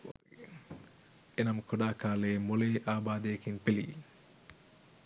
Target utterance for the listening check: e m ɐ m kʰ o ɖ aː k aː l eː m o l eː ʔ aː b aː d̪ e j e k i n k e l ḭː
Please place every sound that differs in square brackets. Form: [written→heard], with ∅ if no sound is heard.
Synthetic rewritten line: e [m→n] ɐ m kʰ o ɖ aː k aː l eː m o l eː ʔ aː b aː d̪ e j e k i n [k→p] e l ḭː

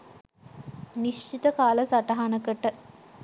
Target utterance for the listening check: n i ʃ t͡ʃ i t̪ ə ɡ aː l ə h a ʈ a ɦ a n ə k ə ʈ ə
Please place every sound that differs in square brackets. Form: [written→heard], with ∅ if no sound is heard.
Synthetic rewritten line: n i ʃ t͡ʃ i t̪ ə [ɡ→k] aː l ə [h→s] a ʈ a ɦ a n ə k ə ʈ ə

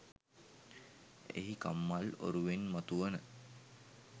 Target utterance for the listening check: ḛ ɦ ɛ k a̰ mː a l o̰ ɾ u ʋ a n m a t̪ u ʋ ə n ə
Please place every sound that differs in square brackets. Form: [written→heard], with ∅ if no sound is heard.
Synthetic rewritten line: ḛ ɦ [ɛ→i] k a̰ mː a l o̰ ɾ u ʋ [a→e] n m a t̪ u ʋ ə n ə

